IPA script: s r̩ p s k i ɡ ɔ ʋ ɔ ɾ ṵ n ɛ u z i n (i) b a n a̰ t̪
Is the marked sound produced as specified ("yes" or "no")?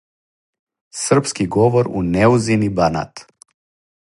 yes